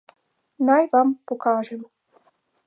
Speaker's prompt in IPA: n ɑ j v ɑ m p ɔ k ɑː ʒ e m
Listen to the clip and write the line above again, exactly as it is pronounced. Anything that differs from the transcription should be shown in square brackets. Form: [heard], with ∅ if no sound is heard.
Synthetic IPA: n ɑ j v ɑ m p [o] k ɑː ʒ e m